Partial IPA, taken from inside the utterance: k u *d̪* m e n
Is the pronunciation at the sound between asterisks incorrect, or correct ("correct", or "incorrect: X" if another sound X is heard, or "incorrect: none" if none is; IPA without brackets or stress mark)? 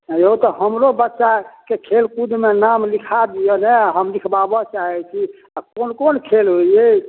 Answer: correct